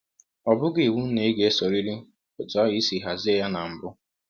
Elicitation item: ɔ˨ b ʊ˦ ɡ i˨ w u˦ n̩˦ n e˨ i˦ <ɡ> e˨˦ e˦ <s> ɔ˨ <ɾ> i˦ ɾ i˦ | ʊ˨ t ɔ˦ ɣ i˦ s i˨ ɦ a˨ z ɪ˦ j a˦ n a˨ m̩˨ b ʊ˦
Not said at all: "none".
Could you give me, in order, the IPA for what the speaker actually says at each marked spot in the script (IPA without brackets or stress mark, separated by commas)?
ɡ, s, ɾ